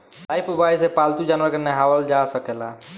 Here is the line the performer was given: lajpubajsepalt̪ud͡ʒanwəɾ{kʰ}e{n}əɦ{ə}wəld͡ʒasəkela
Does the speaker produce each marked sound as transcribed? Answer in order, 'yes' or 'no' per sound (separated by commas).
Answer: no, yes, no